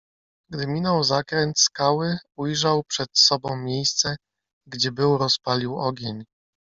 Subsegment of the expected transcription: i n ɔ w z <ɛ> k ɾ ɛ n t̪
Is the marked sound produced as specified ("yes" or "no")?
no